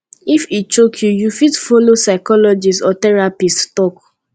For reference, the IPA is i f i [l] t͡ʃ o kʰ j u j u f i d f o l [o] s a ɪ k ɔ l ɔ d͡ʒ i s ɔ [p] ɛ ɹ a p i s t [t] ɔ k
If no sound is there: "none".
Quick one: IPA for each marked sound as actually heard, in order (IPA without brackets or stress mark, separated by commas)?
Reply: none, o, t, t